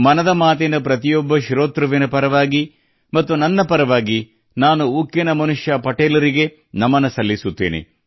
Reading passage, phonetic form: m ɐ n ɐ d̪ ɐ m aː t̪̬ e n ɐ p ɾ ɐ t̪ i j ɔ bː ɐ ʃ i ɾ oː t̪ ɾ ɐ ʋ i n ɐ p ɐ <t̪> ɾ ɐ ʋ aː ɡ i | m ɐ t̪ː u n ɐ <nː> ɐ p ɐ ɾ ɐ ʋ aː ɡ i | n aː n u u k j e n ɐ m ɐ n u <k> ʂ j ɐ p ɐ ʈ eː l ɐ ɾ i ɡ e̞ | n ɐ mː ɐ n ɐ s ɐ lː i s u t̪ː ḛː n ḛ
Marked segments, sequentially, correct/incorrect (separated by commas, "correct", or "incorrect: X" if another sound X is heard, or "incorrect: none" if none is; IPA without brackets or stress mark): incorrect: none, correct, incorrect: none